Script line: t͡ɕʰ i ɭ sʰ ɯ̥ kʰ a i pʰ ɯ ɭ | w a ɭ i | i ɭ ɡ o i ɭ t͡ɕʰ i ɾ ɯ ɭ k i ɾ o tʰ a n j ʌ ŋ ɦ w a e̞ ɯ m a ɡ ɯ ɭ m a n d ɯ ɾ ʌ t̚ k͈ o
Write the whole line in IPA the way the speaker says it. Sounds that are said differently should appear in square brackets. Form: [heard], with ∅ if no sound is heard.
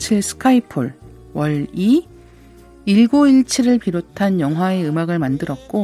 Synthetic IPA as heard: t͡ɕʰ i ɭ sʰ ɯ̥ kʰ a i pʰ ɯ ɭ | w [ʌ] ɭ i | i ɭ ɡ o i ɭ t͡ɕʰ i ɾ ɯ ɭ [p] i ɾ o tʰ a n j ʌ ŋ ɦ w a e̞ ɯ m a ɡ ɯ ɭ m a n d ɯ ɾ ʌ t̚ k͈ o